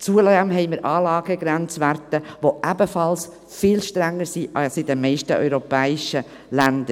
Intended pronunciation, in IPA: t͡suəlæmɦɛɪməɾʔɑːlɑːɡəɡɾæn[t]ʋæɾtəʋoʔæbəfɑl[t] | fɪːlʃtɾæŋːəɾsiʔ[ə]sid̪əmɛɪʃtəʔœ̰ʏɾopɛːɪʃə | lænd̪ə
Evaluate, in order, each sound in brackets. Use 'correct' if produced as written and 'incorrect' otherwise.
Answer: incorrect, incorrect, incorrect

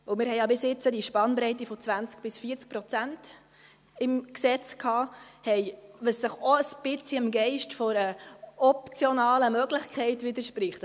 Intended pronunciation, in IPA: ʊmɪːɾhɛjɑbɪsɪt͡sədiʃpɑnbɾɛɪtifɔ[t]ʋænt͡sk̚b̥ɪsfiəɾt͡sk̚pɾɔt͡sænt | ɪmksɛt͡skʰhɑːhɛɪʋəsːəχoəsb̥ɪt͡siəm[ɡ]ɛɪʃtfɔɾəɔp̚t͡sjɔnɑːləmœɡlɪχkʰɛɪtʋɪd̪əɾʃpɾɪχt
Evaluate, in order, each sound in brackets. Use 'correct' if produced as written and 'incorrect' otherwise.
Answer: incorrect, correct

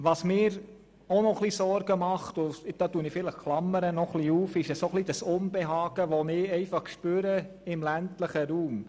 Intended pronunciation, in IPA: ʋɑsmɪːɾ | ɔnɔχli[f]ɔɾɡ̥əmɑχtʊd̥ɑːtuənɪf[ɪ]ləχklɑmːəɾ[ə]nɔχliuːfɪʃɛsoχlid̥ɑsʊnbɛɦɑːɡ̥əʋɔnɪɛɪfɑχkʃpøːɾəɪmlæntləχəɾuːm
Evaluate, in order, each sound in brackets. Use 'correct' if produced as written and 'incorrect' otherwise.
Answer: incorrect, correct, correct

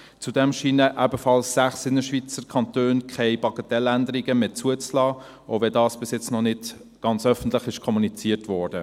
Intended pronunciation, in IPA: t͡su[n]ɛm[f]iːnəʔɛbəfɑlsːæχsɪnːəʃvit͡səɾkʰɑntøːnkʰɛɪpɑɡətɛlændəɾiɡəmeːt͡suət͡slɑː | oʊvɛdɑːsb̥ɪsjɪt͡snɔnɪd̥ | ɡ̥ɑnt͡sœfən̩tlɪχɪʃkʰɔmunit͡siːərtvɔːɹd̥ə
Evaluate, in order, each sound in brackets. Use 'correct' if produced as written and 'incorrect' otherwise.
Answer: incorrect, incorrect

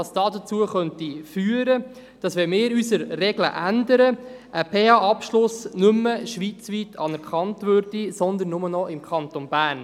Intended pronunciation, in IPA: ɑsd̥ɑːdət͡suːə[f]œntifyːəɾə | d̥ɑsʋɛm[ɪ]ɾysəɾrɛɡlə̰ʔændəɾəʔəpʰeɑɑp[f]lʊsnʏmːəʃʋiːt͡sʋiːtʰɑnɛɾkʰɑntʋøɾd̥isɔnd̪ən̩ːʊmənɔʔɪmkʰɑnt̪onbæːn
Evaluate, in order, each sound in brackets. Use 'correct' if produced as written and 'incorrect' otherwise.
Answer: incorrect, incorrect, incorrect

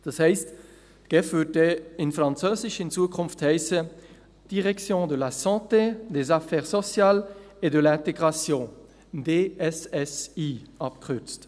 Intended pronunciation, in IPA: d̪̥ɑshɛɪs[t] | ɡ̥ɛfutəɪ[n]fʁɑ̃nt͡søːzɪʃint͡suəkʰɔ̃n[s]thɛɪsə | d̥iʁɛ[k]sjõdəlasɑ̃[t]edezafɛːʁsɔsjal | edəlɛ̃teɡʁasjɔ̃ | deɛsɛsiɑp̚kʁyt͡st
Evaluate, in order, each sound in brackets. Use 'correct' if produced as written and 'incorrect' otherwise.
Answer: correct, correct, incorrect, correct, correct

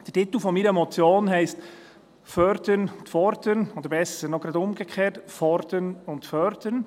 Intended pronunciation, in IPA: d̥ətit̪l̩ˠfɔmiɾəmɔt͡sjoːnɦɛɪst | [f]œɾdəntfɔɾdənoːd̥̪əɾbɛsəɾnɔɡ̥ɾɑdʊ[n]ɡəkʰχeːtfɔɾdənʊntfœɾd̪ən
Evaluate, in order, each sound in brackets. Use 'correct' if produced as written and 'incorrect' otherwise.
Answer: correct, incorrect

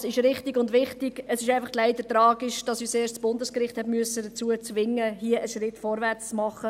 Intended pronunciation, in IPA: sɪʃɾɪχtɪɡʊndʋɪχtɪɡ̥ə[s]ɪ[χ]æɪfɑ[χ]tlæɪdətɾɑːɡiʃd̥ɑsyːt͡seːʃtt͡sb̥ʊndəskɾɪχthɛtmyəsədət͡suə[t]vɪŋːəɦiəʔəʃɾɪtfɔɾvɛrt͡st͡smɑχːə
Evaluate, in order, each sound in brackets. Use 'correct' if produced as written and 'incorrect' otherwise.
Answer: correct, incorrect, correct, incorrect

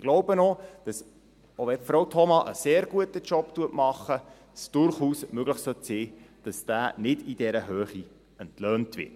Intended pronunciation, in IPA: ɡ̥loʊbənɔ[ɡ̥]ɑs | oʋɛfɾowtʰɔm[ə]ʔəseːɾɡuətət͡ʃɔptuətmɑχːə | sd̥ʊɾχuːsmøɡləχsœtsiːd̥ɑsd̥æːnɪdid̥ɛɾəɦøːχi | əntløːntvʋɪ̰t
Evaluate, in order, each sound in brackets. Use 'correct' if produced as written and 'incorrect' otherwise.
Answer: incorrect, incorrect

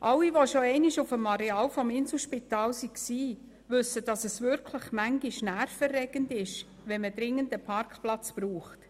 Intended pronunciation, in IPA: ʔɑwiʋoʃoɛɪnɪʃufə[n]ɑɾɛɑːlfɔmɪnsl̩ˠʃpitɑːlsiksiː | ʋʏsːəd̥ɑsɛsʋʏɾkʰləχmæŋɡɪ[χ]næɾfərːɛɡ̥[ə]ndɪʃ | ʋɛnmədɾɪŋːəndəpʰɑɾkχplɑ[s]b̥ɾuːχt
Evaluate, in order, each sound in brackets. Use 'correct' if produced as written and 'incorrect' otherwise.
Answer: incorrect, incorrect, correct, incorrect

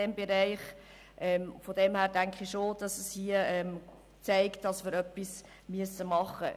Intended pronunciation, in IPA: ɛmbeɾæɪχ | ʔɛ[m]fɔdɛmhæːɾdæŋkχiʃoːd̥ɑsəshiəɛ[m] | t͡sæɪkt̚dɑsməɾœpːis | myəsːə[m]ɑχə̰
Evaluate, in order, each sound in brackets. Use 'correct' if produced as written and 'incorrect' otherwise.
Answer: correct, correct, correct

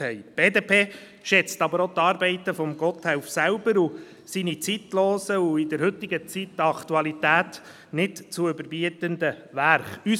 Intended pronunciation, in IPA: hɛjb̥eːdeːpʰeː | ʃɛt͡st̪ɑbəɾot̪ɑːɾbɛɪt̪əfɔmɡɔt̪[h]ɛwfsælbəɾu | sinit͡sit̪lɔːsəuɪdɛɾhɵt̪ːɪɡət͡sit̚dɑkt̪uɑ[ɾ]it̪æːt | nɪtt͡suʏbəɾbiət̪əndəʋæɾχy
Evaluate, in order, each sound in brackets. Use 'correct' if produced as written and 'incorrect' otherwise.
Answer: correct, incorrect

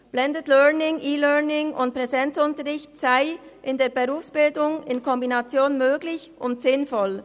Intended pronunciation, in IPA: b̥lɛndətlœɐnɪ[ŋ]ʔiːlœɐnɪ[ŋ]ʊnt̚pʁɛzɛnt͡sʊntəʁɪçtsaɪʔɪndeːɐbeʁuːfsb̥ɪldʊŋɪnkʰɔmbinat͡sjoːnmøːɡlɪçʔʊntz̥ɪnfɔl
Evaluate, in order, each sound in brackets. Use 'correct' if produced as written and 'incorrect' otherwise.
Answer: correct, correct

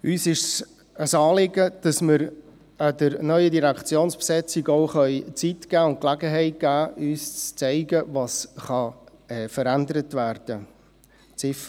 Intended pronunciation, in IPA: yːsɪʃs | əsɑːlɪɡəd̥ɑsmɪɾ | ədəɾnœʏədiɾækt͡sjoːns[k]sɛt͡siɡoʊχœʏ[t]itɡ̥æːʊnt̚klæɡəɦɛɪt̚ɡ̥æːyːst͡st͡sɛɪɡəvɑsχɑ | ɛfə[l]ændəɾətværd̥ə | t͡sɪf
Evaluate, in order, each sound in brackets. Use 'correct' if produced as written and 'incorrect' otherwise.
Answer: incorrect, incorrect, incorrect

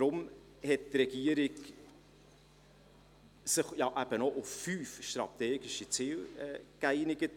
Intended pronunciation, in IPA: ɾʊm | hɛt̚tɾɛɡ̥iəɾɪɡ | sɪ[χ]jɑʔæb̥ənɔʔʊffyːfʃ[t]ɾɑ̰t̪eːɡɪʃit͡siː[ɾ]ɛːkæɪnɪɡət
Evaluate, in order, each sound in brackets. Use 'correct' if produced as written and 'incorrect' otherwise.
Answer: correct, correct, incorrect

